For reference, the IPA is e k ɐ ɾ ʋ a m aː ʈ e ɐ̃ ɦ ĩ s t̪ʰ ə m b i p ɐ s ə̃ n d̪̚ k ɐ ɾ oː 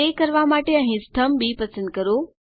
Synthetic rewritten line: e k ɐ ɾ ʋ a m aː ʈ e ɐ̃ ɦ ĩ s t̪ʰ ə m b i p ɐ s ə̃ n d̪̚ k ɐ ɾ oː